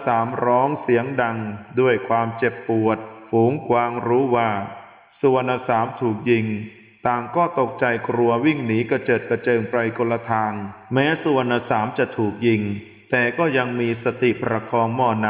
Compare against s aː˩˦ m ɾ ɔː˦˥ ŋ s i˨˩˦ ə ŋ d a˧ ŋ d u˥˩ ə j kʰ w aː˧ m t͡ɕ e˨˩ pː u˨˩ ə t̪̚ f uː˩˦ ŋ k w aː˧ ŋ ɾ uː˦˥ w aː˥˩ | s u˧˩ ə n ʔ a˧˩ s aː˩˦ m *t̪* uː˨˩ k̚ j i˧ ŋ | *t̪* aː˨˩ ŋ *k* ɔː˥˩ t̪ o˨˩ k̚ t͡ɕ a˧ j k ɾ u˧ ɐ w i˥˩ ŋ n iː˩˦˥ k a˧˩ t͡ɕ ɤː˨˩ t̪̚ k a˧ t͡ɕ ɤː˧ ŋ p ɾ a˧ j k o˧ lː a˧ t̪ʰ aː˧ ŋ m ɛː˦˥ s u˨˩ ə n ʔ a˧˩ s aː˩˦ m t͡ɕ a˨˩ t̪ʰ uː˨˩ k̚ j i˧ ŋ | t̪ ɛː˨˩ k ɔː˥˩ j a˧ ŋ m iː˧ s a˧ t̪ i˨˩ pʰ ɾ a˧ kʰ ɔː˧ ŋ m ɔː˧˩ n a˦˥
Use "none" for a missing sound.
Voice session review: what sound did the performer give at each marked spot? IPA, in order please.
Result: t̪ʰ, t̪, k

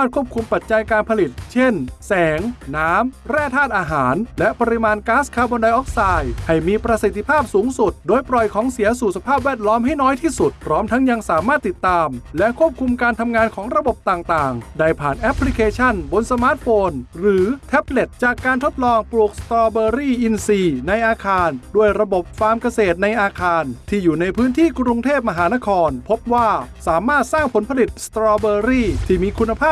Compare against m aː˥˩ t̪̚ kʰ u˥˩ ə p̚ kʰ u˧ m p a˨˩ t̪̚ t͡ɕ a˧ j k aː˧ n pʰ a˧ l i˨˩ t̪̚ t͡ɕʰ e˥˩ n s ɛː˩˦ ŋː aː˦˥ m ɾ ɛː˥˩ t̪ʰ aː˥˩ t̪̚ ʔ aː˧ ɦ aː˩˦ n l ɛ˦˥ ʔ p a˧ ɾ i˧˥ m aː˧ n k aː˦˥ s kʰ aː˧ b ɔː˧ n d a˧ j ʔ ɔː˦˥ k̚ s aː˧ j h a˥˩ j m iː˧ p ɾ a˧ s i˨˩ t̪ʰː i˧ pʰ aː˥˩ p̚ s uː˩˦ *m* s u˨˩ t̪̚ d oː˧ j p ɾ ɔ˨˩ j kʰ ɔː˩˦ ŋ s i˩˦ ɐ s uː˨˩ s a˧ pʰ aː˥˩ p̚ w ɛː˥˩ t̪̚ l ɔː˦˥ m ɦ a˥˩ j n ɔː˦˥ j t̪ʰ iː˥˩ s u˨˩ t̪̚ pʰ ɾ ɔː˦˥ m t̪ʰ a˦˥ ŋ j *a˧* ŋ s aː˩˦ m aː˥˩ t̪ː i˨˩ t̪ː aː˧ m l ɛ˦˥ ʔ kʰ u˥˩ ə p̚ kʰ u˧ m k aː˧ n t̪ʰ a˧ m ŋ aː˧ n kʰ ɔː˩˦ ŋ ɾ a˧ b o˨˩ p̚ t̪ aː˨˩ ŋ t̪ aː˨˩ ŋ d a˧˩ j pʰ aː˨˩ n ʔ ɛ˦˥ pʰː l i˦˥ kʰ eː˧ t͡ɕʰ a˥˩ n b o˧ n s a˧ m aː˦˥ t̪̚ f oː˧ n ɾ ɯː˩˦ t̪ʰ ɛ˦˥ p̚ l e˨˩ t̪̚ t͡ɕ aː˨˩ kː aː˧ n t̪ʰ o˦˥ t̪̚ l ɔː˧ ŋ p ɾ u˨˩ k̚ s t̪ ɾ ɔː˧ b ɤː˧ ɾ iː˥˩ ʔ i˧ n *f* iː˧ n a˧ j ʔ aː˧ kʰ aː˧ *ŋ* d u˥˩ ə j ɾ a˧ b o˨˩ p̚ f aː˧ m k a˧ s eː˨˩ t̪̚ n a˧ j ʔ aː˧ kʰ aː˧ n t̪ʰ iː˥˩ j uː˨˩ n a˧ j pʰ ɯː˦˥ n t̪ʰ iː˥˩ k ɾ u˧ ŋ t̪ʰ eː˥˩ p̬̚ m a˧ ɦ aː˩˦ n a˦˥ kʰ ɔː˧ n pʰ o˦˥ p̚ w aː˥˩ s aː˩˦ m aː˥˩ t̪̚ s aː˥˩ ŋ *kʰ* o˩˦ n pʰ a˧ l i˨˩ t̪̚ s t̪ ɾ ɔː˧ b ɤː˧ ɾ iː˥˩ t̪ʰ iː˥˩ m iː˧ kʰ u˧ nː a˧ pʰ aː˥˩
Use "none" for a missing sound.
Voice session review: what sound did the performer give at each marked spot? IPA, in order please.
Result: ŋ, a˧, s, n, pʰ

